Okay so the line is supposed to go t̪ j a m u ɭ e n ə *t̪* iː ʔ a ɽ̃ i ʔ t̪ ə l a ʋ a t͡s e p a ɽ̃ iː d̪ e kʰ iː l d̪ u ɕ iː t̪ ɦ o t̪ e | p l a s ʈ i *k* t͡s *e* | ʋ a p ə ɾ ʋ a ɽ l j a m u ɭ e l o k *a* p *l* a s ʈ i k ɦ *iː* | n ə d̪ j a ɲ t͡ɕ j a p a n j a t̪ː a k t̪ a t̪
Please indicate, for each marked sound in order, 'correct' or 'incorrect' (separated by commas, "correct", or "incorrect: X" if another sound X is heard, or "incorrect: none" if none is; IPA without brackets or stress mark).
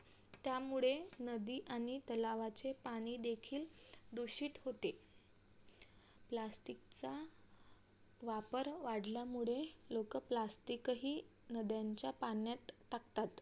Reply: incorrect: d̪, correct, incorrect: a, incorrect: ə, correct, correct